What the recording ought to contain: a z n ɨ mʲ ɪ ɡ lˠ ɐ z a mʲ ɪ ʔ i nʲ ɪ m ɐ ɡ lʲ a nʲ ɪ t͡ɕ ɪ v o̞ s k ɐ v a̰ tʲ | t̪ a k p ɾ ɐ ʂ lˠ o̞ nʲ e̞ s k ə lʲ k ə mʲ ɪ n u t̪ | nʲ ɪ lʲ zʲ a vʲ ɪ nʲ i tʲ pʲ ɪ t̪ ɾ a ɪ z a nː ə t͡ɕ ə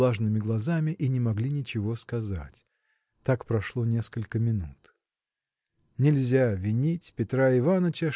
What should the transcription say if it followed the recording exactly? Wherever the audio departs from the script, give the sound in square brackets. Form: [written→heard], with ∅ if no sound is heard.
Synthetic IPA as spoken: a [z→ʐ] n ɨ mʲ ɪ ɡ lˠ ɐ z a mʲ ɪ ʔ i nʲ ɪ m ɐ ɡ lʲ [a→i] nʲ ɪ t͡ɕ ɪ v o̞ s k ɐ [v→z] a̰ tʲ | t̪ a k p ɾ ɐ ʂ lˠ o̞ nʲ e̞ s k ə lʲ k ə mʲ ɪ n u t̪ | nʲ ɪ lʲ zʲ a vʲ ɪ nʲ i tʲ pʲ ɪ t̪ ɾ a ɪ [z→v] a [nː→n] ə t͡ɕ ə